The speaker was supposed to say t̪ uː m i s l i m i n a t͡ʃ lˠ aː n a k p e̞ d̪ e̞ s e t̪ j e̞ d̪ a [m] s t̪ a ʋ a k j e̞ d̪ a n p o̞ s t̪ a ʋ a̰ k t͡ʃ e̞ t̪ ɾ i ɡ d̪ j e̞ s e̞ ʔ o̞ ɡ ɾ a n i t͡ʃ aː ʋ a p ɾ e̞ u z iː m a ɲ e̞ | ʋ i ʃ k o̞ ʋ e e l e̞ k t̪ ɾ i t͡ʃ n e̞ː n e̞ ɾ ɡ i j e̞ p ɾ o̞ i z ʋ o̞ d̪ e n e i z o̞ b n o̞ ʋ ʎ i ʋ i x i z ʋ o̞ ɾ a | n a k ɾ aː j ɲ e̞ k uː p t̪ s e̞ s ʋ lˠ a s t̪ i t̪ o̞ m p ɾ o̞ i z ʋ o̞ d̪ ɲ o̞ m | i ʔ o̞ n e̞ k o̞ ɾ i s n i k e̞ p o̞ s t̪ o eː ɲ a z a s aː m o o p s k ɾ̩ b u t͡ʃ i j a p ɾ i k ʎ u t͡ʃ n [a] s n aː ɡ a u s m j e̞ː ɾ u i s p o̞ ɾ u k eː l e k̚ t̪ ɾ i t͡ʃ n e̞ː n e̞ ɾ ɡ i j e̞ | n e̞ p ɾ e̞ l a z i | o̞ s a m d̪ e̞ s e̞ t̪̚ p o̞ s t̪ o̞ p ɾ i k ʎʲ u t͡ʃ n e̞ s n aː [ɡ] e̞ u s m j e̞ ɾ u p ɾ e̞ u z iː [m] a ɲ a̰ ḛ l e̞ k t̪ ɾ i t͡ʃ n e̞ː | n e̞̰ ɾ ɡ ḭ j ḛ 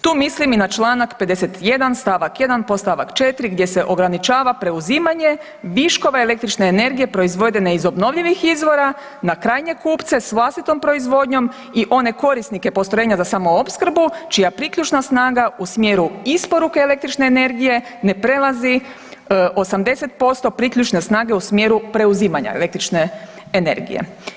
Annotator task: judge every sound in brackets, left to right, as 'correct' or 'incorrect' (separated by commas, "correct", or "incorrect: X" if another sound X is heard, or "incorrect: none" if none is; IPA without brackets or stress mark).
incorrect: n, correct, correct, correct